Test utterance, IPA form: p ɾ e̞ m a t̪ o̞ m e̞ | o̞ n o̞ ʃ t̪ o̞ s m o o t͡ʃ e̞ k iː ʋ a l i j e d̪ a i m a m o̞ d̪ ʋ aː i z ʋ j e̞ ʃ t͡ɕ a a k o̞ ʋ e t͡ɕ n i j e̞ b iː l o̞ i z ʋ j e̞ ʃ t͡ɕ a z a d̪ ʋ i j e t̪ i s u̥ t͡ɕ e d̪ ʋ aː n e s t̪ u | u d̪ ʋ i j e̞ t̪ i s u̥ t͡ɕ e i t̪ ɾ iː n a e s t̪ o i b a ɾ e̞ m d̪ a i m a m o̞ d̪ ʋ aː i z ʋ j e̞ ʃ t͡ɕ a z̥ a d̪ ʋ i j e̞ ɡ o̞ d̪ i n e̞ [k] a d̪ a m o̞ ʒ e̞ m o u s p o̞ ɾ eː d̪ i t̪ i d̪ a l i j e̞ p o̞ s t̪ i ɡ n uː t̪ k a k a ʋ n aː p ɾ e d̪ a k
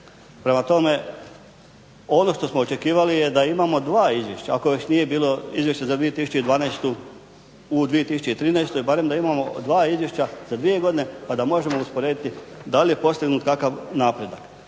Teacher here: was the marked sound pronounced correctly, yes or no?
no